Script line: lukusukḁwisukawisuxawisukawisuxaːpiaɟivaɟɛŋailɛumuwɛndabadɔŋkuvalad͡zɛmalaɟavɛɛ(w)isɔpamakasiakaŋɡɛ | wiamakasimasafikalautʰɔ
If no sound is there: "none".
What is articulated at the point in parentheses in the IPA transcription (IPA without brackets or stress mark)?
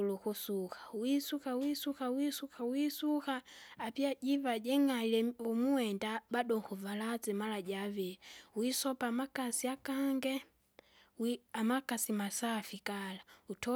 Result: w